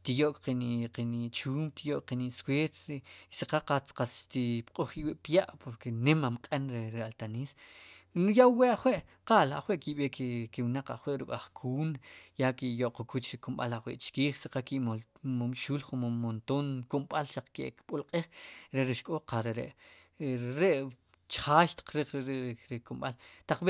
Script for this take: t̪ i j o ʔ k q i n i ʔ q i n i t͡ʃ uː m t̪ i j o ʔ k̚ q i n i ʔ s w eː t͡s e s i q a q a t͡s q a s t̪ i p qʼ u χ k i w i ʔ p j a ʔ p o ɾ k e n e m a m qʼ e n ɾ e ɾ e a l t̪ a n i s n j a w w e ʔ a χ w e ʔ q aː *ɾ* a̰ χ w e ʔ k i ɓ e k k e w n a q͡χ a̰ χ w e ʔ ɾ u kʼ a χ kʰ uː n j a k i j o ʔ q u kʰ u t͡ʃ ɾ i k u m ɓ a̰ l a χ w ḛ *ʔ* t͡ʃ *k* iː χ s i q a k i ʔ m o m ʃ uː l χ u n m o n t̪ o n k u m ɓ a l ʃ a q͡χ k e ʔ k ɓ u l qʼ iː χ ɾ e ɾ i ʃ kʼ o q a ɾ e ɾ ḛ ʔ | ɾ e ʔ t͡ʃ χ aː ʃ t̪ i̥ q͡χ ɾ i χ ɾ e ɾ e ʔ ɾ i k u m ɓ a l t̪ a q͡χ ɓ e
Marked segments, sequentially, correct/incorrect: incorrect, correct, correct

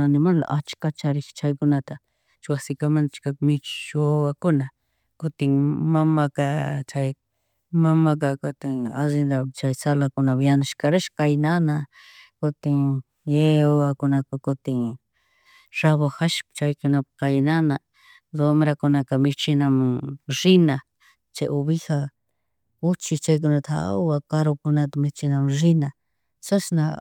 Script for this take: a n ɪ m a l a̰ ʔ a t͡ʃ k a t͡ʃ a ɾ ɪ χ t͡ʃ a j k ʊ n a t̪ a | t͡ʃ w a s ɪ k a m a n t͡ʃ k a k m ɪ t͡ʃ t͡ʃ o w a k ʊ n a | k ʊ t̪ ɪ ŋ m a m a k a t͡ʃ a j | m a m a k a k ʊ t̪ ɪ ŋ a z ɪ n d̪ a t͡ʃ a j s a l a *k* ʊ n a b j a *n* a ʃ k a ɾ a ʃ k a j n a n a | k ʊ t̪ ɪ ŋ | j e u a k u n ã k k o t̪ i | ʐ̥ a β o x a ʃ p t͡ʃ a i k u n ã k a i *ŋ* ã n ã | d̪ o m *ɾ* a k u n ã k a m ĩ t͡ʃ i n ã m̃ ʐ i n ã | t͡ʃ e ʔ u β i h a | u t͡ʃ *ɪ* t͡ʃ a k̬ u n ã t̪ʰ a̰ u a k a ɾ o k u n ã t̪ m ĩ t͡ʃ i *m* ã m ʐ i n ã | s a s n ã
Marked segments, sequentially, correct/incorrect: correct, correct, incorrect, correct, incorrect, incorrect

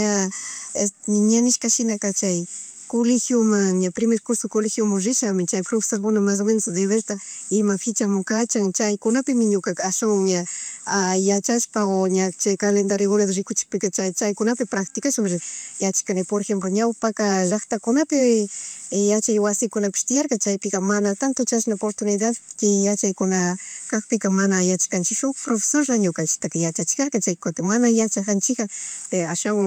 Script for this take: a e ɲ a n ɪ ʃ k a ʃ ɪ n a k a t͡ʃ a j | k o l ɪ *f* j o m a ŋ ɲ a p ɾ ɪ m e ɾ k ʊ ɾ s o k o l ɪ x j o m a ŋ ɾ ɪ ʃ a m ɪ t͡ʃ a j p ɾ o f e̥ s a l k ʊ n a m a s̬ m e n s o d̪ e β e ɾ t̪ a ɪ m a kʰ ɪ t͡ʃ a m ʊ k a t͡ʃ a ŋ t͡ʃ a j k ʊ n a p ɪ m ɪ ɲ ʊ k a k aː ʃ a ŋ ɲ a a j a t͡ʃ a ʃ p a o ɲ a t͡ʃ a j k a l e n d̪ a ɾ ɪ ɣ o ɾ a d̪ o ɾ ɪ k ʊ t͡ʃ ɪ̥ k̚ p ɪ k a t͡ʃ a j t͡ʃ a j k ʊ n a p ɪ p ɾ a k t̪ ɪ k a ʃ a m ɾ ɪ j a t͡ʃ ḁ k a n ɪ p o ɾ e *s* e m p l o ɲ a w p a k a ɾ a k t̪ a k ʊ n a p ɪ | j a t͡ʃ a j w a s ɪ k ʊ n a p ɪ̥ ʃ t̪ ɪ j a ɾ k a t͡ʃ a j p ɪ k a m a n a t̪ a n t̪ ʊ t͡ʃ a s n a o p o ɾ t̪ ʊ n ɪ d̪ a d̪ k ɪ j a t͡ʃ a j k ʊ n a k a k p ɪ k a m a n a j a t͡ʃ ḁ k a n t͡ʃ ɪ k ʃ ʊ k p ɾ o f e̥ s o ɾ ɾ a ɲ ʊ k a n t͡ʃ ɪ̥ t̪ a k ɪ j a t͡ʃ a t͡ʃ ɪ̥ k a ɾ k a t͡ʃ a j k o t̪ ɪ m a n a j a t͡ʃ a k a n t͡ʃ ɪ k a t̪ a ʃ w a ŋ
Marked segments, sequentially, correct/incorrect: incorrect, incorrect

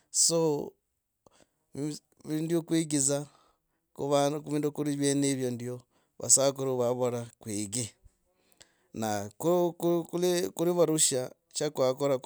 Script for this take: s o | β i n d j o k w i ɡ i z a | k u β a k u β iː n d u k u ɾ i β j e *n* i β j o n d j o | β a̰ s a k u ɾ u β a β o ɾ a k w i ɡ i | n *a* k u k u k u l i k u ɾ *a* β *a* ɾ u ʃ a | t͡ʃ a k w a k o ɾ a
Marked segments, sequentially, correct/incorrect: correct, correct, incorrect, correct

